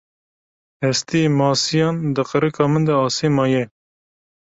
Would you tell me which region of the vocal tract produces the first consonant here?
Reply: throat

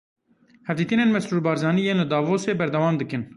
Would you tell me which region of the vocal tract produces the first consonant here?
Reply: throat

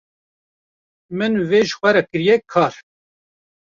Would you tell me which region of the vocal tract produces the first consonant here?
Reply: lips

